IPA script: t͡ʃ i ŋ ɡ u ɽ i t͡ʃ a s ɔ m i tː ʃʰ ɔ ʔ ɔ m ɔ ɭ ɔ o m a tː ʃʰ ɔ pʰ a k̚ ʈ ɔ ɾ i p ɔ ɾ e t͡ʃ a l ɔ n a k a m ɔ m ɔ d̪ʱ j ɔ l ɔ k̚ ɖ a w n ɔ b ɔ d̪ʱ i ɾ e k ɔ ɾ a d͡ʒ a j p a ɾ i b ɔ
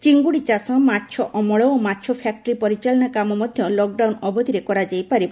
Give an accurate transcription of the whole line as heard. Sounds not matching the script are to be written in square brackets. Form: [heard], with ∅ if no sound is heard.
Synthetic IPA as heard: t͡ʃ i ŋ ɡ u ɽ i t͡ʃ a s ɔ m [a] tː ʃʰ ɔ ʔ ɔ m ɔ ɭ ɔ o m a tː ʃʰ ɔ pʰ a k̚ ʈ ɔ ɾ i p ɔ ɾ [i] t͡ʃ a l ɔ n a k a m ɔ m ɔ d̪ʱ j ɔ l ɔ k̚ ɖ a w n ɔ b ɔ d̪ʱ i ɾ e k ɔ ɾ a d͡ʒ a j p a ɾ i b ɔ

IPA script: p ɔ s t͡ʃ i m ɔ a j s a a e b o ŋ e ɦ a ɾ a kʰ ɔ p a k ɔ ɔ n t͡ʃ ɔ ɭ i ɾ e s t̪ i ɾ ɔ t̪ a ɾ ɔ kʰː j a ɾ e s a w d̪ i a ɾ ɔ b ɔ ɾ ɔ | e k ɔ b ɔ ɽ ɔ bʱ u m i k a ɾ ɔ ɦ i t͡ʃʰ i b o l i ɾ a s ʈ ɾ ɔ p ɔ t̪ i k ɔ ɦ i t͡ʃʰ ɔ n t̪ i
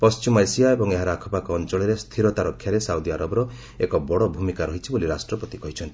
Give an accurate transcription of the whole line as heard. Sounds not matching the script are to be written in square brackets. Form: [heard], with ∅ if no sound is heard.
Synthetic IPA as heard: p ɔ s t͡ʃ i m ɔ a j s [i] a e b [ɔ] ŋ e ɦ a ɾ a kʰ ɔ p a k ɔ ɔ n t͡ʃ ɔ ɭ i ɾ e s [t̪ʰ] i ɾ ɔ t̪ a ɾ ɔ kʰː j a ɾ e s a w d̪ i a ɾ ɔ b ɔ ɾ ɔ | e k ɔ b ɔ ɽ ɔ bʱ u m i k a ɾ ɔ ɦ i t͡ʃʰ i b o l i ɾ a s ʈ ɾ ɔ p ɔ t̪ i k ɔ ɦ i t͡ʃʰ ɔ n t̪ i

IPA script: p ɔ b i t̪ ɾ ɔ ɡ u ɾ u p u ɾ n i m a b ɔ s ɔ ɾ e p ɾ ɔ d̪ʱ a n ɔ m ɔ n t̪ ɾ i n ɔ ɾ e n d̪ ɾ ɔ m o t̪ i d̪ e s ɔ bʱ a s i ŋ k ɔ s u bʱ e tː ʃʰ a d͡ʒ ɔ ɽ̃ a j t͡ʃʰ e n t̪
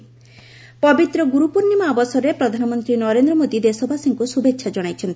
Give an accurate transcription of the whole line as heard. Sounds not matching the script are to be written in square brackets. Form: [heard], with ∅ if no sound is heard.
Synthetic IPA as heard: p ɔ b i t̪ ɾ ɔ ɡ u ɾ u p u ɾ n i m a b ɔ s ɔ ɾ e p ɾ ɔ d̪ʱ a n ɔ m ɔ n t̪ ɾ i n ɔ ɾ e n d̪ ɾ ɔ m o [d̪] i d̪ e s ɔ bʱ a s i ŋ k [u] s u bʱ e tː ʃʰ a d͡ʒ ɔ ɽ̃ a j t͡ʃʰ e n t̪

